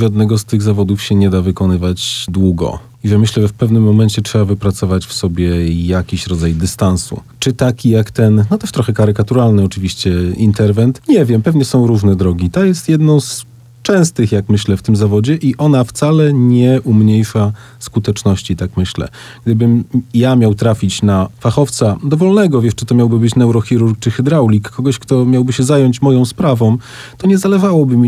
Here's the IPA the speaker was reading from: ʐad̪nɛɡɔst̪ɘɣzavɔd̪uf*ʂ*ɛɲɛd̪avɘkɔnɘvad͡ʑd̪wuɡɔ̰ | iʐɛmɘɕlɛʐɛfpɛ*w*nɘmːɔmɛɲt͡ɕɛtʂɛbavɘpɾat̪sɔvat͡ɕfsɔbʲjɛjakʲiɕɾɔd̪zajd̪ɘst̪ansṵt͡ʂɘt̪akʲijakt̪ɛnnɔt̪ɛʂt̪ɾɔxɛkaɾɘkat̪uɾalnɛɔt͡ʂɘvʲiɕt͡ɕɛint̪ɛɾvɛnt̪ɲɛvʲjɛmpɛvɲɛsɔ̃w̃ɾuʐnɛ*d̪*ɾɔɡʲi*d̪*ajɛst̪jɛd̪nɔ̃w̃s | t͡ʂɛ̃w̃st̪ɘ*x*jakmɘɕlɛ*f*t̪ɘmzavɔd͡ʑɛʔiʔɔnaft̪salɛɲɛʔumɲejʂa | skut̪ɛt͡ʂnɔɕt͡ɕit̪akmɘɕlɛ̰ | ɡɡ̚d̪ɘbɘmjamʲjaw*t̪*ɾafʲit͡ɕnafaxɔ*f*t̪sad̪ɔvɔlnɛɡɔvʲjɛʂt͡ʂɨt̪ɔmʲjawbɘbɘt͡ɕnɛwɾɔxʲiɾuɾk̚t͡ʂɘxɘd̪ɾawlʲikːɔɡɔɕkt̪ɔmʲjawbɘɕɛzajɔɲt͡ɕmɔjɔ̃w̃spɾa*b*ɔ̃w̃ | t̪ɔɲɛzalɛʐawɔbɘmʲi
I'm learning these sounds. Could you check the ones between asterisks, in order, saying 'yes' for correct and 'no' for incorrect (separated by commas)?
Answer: no, no, yes, no, yes, yes, yes, yes, no